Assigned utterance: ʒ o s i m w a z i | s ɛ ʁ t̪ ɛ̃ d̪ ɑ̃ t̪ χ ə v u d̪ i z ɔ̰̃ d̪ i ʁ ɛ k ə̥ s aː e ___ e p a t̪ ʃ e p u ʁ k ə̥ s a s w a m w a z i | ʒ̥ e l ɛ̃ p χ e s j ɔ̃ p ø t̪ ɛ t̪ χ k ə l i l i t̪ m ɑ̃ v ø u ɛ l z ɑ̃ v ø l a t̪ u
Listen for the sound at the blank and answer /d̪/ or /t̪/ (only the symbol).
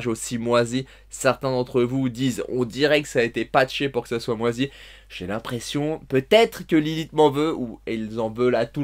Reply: t̪